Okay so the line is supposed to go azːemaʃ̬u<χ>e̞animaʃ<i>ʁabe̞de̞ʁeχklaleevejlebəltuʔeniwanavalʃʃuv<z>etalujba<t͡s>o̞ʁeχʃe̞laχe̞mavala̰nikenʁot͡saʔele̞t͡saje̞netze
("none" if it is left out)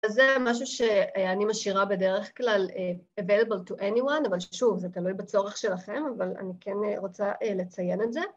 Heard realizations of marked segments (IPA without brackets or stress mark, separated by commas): ʃ, i, z, t͡s